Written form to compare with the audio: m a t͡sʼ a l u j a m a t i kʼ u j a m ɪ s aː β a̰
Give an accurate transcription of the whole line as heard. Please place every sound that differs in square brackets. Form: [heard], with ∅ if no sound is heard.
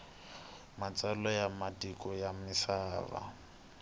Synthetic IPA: m a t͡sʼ a l [ɔ] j a m a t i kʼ [ɔ] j a m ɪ s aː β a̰